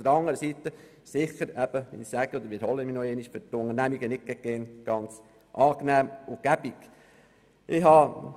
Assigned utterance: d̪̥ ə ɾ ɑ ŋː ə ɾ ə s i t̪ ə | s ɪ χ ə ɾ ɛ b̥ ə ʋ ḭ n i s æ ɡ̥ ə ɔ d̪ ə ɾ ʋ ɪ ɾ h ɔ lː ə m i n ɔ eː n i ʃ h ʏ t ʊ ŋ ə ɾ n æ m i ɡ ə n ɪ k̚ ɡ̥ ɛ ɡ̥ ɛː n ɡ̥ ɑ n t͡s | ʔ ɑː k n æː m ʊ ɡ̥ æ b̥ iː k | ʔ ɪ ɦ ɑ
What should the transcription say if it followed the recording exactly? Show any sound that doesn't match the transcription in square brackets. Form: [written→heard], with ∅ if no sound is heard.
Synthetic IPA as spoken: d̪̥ ə ɾ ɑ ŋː ə ɾ ə s i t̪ ə | s ɪ χ ə ɾ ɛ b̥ ə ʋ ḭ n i s æ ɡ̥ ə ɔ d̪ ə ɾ ʋ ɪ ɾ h ɔ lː ə m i n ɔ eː n i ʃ [h→f] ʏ t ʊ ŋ ə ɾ n æ m i ɡ ə n ɪ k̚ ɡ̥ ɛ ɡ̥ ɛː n ɡ̥ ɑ n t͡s | ʔ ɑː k n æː m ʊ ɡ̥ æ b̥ [iː→i] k | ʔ ɪ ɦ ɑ